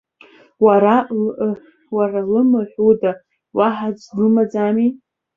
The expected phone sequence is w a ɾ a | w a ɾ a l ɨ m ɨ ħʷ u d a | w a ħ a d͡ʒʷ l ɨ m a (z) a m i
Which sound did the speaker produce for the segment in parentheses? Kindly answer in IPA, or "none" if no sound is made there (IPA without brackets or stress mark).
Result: d͡z